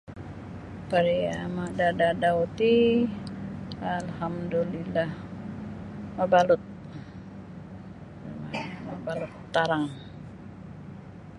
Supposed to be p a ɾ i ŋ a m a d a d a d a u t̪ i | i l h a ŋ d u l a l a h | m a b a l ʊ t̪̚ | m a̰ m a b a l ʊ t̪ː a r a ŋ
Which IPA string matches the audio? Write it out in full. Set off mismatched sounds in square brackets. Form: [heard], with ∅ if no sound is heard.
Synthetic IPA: p a ɾ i [∅] a m a d a d a d a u t̪ i | [a] l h a [m] d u l [i] l a h | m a b a l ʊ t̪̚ | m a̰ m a b a l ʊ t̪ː a [ɾ] a ŋ